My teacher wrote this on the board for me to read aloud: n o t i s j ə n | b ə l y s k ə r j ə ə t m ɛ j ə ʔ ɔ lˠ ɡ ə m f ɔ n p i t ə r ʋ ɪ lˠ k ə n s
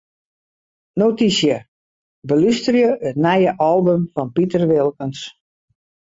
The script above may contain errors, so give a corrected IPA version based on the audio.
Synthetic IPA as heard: n o t i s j ə | b ə l y s t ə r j ə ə t n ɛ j ə ʔ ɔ lˠ b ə m f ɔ n p i t ə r ʋ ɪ lˠ k ə n s